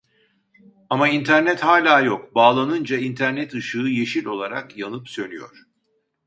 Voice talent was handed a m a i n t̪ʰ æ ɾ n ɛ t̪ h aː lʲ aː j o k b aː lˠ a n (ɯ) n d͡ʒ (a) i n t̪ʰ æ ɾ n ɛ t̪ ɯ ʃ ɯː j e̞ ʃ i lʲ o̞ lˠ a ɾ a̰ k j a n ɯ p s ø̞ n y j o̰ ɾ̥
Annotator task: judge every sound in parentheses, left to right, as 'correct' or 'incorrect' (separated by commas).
correct, correct